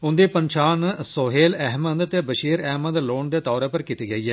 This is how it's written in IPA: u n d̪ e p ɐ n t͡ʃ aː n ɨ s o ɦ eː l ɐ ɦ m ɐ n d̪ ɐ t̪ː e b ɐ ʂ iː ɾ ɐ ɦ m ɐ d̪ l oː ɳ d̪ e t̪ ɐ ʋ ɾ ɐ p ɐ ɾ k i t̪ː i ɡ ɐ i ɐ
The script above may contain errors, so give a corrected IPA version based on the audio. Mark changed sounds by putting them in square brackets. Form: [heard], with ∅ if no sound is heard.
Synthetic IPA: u n d̪ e p ɐ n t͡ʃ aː n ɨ s o ɦ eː l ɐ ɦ m ɐ n d̪ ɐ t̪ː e b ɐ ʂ iː ɾ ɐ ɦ m ɐ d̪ l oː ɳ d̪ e t̪ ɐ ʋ ɾ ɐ p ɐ ɾ k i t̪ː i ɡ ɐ [j] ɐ